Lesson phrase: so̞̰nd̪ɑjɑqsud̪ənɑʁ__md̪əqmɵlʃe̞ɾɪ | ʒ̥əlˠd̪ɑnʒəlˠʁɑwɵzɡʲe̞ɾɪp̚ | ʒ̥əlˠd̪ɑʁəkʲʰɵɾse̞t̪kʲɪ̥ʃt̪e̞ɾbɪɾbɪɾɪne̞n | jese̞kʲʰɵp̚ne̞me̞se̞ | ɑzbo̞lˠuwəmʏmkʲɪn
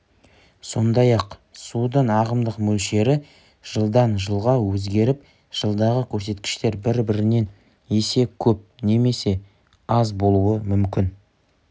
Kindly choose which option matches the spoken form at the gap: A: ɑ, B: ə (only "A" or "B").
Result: B